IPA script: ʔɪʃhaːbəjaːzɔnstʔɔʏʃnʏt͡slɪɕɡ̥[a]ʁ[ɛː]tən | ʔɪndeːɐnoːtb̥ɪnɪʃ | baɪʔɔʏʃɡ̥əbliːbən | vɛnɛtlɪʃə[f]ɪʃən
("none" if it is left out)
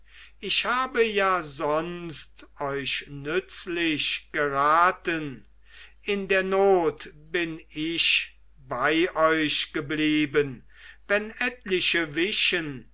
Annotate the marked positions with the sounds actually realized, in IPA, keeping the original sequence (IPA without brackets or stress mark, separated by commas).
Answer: ə, aː, v